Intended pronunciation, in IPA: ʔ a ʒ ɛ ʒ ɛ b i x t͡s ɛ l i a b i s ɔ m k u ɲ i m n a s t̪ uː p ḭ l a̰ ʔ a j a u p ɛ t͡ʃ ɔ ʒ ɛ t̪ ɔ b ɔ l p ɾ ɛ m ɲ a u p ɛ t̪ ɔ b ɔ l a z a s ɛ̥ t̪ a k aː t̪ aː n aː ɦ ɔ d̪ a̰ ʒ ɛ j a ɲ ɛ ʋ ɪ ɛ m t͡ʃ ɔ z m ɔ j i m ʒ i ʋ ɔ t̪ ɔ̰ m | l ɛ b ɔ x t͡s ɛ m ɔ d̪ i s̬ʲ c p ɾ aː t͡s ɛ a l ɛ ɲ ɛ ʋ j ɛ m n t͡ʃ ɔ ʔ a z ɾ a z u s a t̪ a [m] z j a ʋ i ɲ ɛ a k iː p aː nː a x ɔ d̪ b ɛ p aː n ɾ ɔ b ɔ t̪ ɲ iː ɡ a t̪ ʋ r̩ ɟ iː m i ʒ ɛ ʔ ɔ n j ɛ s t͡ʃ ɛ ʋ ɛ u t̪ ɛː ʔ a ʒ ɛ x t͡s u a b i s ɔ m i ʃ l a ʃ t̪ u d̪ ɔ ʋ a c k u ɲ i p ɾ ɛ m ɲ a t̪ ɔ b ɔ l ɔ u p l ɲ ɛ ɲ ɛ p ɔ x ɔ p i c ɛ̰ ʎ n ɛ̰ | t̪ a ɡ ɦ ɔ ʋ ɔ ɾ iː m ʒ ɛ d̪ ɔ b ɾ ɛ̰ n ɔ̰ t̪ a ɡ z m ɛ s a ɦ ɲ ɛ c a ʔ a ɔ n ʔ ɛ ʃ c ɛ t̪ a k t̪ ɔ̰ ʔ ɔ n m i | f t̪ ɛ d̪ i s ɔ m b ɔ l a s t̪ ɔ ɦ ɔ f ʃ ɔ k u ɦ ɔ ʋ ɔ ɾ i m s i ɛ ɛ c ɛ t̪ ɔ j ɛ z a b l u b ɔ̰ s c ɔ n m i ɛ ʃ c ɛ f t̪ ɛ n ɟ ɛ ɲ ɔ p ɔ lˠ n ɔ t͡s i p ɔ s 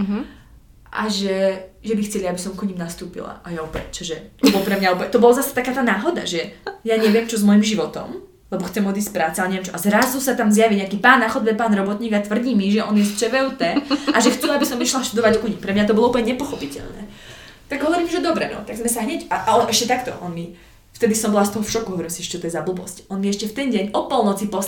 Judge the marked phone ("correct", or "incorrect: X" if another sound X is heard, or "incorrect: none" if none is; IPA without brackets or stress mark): correct